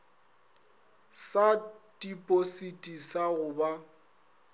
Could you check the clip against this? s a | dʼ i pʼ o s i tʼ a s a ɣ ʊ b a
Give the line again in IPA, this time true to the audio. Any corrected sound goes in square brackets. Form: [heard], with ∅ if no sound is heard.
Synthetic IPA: s a | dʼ i pʼ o s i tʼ [i] s a ɣ ʊ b a